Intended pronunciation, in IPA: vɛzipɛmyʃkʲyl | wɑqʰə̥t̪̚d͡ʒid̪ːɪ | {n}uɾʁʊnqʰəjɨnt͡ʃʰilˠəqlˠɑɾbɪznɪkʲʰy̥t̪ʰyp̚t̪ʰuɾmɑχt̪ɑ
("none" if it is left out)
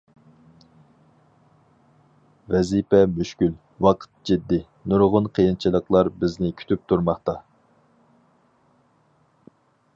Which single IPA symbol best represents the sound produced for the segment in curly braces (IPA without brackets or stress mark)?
n